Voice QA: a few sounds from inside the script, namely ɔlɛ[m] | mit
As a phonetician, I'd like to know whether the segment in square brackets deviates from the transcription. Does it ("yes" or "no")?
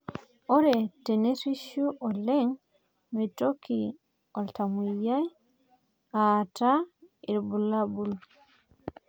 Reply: yes